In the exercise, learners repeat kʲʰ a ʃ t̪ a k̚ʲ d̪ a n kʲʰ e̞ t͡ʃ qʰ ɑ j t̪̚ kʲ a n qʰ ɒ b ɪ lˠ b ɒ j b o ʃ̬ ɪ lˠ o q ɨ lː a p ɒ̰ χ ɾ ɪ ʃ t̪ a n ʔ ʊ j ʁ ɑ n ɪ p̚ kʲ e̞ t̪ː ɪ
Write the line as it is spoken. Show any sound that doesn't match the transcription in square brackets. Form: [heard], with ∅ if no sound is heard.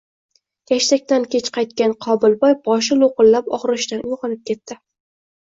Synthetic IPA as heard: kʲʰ a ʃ t̪ a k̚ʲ [t̪] a n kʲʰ e̞ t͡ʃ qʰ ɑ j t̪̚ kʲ a n qʰ ɒ b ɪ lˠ b ɒ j b [ɒ] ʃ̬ ɪ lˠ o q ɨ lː a p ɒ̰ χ ɾ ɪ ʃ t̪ a n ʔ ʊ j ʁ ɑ n ɪ p̚ kʲ e̞ t̪ː ɪ

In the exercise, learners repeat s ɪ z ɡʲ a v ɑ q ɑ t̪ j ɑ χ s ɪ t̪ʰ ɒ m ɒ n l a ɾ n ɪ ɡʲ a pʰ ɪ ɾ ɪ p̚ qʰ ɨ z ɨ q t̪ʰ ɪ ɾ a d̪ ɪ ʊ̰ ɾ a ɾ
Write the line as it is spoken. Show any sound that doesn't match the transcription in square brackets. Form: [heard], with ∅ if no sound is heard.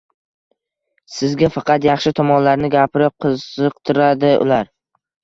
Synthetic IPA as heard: s ɪ z ɡʲ a [f] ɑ q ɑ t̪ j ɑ χ [ʃ] ɪ t̪ʰ ɒ m ɒ n l a ɾ n ɪ ɡʲ a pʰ ɪ ɾ ɪ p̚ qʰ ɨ z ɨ q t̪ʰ ɪ ɾ a d̪ ɪ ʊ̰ [l] a ɾ

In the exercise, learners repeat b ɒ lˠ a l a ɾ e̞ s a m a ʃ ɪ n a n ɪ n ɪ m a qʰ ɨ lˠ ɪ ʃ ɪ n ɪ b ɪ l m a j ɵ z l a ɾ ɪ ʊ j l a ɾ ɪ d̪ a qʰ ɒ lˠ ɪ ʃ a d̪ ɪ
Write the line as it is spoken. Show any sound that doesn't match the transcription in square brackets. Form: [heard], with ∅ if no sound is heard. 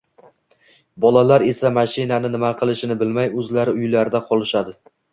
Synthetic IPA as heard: b ɒ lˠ a l a ɾ e̞ s a m a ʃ ɪ n a n ɪ n ɪ m a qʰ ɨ lˠ ɪ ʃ ɪ n ɪ b ɪ l m a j ɵ z l a ɾ ɪ ʊ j l a ɾ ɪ d̪ a qʰ ɒ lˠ ɪ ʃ a d̪ ɪ

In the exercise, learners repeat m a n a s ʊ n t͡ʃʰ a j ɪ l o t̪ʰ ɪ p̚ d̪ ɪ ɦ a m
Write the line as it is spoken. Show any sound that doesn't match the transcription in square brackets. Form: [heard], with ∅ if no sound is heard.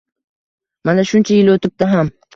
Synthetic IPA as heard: m a n a [ʃ] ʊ n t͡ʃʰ a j ɪ l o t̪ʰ ɪ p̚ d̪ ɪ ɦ a m

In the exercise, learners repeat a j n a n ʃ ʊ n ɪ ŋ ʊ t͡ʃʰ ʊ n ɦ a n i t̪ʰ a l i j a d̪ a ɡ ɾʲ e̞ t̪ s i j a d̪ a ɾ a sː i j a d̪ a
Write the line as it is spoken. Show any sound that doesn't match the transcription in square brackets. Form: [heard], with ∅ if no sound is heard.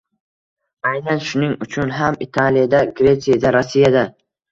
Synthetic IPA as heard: a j n a n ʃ ʊ n ɪ ŋ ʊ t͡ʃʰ ʊ n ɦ a [m] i t̪ʰ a l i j a d̪ a ɡ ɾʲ e̞ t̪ s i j a d̪ a ɾ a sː i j a d̪ a

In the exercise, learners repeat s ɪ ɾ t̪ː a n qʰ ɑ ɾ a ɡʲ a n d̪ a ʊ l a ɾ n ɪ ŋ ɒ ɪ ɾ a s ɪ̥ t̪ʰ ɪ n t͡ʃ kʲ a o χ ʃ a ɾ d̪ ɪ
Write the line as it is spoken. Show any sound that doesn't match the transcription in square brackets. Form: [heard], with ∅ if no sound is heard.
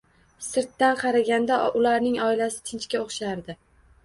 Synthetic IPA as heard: s ɪ ɾ t̪ː a n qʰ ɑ ɾ a ɡʲ a n d̪ a ʊ l a ɾ n ɪ ŋ ɒ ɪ [l] a s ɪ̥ t̪ʰ ɪ n t͡ʃ kʲ a o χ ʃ a ɾ d̪ ɪ

